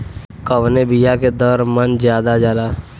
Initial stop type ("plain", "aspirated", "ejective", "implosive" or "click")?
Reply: plain